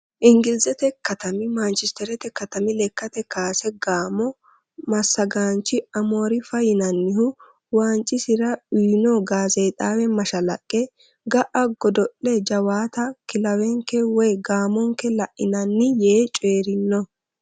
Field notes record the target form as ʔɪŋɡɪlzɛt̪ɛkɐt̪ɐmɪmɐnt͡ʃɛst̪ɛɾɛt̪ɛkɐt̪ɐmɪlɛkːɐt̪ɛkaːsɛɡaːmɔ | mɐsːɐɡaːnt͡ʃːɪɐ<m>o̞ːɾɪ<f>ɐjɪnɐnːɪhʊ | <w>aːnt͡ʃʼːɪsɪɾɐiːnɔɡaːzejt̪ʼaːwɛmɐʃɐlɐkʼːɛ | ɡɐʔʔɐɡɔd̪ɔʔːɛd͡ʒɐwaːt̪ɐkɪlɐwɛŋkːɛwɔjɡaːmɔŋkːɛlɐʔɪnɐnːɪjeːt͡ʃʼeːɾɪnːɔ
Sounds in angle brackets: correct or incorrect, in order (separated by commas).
correct, correct, correct